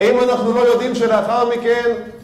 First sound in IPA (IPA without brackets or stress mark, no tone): i